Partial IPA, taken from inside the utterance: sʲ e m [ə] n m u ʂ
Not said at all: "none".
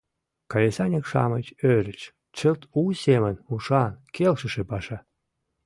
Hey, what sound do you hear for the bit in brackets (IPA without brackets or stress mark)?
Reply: ə